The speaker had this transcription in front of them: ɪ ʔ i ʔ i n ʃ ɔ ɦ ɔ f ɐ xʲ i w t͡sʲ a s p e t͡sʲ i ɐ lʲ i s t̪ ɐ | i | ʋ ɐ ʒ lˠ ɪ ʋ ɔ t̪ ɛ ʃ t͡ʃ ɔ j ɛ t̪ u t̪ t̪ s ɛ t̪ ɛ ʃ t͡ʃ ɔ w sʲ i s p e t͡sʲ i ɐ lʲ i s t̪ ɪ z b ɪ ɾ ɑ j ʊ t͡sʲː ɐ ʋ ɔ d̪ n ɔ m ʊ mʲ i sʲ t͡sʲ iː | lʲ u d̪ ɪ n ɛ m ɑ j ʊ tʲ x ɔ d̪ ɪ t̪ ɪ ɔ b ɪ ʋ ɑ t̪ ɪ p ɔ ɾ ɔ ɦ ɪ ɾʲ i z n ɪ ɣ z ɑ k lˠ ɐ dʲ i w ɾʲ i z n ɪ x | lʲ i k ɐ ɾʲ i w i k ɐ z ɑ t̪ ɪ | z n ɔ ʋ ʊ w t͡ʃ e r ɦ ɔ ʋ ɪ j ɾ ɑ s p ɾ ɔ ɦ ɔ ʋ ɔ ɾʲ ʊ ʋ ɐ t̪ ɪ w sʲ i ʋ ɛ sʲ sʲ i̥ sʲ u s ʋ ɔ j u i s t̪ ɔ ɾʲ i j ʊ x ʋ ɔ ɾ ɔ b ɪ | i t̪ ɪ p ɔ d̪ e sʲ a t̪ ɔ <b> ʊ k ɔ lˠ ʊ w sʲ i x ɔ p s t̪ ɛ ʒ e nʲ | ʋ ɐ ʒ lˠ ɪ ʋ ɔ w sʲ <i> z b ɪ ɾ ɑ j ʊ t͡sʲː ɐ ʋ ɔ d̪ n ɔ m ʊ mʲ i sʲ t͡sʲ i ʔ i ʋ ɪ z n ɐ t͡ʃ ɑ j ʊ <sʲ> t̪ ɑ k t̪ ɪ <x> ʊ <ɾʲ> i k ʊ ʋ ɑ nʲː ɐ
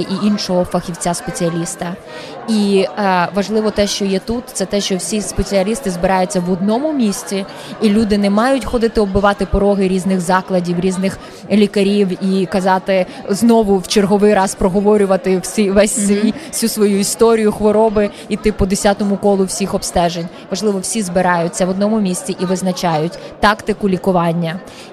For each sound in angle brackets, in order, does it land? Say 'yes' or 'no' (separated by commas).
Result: no, yes, no, no, no